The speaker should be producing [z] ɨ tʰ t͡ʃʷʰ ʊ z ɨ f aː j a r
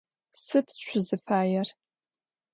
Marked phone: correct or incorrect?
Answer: incorrect